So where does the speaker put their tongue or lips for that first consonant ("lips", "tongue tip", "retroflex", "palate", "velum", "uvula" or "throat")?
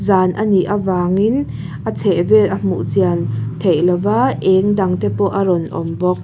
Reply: tongue tip